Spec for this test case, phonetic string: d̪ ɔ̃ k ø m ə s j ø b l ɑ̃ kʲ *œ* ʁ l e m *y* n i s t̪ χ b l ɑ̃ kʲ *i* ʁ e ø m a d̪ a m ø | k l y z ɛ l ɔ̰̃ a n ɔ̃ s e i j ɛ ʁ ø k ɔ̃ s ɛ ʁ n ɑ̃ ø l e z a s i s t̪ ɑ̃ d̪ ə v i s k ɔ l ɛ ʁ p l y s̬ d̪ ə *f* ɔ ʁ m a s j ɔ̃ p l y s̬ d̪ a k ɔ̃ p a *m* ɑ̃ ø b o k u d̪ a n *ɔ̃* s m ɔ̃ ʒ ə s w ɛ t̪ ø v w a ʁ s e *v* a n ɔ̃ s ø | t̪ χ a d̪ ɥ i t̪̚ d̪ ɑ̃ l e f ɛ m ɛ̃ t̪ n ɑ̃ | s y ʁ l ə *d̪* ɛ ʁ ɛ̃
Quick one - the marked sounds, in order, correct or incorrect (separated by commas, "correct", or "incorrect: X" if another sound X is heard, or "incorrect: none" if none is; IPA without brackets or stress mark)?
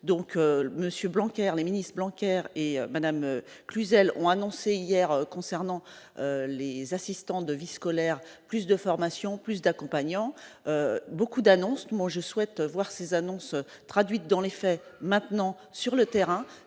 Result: incorrect: ɛ, incorrect: i, incorrect: ɛ, correct, incorrect: ɲ, correct, incorrect: z, incorrect: t̪